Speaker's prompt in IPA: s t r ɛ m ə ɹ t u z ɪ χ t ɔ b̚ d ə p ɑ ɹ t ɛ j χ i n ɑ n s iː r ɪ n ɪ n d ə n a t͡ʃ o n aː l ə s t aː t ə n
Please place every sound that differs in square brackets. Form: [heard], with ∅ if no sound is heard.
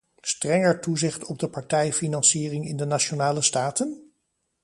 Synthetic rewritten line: s t r ɛ [ŋ] ə ɹ t u z ɪ χ t ɔ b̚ d ə p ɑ ɹ t ɛ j [f] i n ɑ n s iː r ɪ [ŋ] ɪ n d ə n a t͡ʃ o n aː l ə s t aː t ə n